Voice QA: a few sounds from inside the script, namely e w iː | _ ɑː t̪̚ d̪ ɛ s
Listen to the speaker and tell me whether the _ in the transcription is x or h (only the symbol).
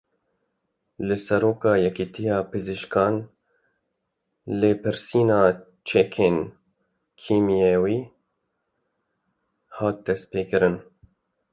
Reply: h